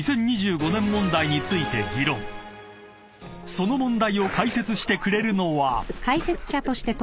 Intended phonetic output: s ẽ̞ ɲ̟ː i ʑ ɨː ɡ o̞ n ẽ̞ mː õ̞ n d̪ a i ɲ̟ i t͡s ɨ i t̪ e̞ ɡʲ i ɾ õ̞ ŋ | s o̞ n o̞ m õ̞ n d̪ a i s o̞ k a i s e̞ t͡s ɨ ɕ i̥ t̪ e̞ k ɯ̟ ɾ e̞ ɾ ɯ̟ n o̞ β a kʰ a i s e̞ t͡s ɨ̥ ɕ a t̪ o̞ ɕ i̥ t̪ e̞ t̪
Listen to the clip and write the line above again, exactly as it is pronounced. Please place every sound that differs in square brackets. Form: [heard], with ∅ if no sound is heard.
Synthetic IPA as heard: s ẽ̞ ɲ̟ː i ʑ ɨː ɡ o̞ n ẽ̞ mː õ̞ n d̪ a i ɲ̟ i t͡s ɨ i t̪ e̞ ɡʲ i ɾ õ̞ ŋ | s o̞ n o̞ m õ̞ n d̪ a i [∅] o̞ k a i s e̞ t͡s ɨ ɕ i̥ t̪ e̞ k ɯ̟ ɾ e̞ ɾ ɯ̟ n o̞ β a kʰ a i s e̞ t͡s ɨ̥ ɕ a t̪ o̞ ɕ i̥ t̪ e̞ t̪

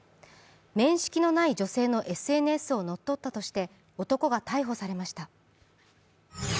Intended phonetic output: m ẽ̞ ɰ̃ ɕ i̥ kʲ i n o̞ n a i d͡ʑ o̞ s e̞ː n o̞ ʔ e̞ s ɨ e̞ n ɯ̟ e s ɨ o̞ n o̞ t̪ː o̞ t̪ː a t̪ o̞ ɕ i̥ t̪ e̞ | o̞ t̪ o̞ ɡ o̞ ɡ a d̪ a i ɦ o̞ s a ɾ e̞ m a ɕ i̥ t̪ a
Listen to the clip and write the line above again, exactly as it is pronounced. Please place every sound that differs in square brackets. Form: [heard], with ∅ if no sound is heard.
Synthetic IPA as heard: m ẽ̞ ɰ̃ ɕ i̥ kʲ i n o̞ n a i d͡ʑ o̞ s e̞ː n o̞ ʔ e̞ s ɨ e̞ n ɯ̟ e s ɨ o̞ n o̞ t̪ː o̞ t̪ː a t̪ o̞ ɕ i̥ t̪ e̞ | o̞ t̪ o̞ [k] o̞ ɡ a [t̪] a i ɦ o̞ s a ɾ e̞ m a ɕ i̥ t̪ a

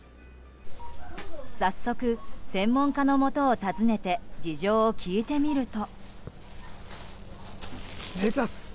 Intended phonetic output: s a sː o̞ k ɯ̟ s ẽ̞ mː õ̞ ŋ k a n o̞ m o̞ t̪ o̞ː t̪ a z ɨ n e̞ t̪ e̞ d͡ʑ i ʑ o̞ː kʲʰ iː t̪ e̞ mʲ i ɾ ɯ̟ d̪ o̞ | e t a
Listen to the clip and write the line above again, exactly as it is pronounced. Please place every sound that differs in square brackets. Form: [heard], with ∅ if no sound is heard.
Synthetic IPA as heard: s a sː o̞ k ɯ̟ s ẽ̞ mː õ̞ ŋ k a n o̞ m o̞ t̪ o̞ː t̪ a z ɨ n e̞ t̪ e̞ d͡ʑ i ʑ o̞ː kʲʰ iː t̪ e̞ mʲ i ɾ ɯ̟ [t̪] o̞ | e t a

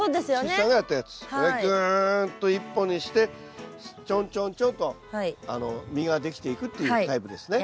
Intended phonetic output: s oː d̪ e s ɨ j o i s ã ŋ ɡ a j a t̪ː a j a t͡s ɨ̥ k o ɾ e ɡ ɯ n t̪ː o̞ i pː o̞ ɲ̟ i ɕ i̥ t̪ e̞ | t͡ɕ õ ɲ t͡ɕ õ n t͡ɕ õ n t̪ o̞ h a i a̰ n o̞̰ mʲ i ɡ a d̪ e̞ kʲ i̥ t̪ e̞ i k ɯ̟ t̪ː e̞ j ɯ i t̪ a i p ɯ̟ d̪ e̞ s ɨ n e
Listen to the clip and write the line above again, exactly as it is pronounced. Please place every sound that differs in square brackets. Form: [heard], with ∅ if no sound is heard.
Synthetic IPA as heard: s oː d̪ e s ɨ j o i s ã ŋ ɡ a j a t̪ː a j a t͡s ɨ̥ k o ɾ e ɡ ɯ n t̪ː o̞ i pː o̞ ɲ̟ i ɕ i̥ t̪ e̞ | t͡ɕ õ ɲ t͡ɕ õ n t͡ɕ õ n t̪ o̞ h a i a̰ n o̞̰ mʲ i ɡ a d̪ e̞ kʲ i̥ t̪ e̞ i k ɯ̟ t̪ː e̞ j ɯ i t̪ a i p ɯ̟ d̪ e̞ s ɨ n e

